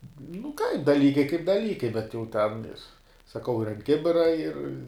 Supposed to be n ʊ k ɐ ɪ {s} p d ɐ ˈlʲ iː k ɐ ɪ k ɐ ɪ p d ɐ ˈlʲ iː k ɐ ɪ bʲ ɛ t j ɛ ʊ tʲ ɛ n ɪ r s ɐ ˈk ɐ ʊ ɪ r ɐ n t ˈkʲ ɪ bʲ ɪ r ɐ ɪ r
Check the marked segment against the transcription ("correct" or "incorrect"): incorrect